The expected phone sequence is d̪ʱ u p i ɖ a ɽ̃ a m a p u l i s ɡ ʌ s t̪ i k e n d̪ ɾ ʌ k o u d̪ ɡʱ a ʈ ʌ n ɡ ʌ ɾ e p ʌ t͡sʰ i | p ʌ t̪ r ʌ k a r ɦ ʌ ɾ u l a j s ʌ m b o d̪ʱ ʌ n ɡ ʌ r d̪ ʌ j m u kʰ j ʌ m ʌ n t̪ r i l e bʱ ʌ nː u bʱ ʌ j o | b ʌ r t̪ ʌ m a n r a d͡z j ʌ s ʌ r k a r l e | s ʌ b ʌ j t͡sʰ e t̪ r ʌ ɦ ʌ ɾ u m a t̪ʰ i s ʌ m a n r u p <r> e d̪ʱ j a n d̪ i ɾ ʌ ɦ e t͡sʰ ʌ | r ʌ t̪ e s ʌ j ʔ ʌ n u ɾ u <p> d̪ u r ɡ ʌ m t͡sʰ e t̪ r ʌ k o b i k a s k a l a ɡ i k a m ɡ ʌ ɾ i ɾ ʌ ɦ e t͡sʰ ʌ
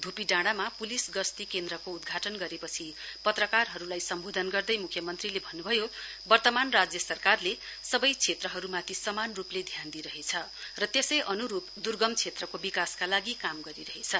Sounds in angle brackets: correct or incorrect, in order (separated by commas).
incorrect, correct